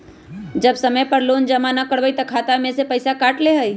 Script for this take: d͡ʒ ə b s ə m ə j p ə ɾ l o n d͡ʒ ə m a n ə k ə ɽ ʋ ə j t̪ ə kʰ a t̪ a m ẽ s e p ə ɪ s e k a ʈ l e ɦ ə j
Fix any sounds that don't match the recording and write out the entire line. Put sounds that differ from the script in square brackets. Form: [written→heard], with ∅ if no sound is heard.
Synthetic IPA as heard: d͡ʒ ə b s ə m ə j p ə ɾ l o n d͡ʒ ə m a n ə k ə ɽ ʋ ə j t̪ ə kʰ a t̪ a m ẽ s e p ə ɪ s [e→a] k a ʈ l e ɦ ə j